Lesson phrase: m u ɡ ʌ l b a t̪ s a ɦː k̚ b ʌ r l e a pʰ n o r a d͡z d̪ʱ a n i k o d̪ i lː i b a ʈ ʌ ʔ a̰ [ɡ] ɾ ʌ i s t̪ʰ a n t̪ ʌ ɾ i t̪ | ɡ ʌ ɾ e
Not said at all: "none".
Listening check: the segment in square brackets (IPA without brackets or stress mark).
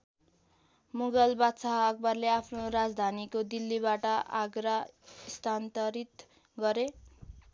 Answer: ɡ